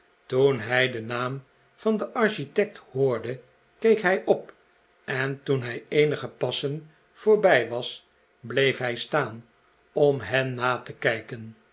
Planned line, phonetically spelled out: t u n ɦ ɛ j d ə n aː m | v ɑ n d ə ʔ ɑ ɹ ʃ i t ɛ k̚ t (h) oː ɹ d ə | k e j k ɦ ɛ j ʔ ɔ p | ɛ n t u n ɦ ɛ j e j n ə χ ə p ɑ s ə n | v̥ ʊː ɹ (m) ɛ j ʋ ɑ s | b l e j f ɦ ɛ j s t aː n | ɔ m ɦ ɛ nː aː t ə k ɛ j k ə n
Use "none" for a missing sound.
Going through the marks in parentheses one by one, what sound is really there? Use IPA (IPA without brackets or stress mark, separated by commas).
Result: h, b